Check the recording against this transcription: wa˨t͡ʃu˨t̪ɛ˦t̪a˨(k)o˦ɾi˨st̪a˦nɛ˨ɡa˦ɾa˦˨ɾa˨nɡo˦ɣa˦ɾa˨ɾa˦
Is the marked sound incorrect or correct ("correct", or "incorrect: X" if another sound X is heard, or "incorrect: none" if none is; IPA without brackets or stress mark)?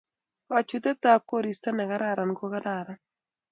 correct